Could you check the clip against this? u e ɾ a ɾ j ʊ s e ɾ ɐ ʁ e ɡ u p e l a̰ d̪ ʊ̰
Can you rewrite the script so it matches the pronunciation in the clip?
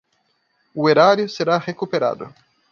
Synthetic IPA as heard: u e ɾ a ɾ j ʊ s e ɾ a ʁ e k u p e ɾ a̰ d̪ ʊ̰